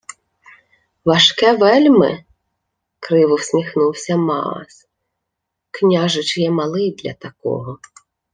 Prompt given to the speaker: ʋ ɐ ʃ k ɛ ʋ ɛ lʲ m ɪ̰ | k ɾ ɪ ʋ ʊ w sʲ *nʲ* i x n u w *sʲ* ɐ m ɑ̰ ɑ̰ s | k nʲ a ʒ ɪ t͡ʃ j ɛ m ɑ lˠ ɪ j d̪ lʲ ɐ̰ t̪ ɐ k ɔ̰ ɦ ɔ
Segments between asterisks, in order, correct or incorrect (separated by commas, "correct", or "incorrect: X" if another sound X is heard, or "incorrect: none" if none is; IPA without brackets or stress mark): incorrect: mʲ, correct